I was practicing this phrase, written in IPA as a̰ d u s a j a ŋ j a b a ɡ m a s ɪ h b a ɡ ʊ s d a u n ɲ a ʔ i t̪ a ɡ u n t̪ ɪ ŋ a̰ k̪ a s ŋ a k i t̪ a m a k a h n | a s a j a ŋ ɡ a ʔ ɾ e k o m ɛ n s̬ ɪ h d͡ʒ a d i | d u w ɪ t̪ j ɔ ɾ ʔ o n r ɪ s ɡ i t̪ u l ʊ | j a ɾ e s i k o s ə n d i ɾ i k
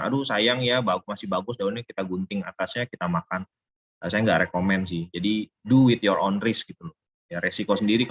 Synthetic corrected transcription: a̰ d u s a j a ŋ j a b a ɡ m a s ɪ h b a ɡ ʊ s d a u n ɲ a k i t̪ a ɡ u n t̪ ɪ ŋ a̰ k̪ a s ɲ a k i t̪ a m a k a n | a s a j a ŋ ɡ a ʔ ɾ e k o m ɛ n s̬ ɪ h d͡ʒ a d i | d u w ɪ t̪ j ɔ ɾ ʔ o n r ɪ s ɡ i t̪ u l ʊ | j a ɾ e s i k o s ə n d i ɾ i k